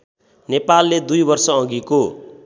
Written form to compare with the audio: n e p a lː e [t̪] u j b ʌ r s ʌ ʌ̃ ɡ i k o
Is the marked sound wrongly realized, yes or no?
yes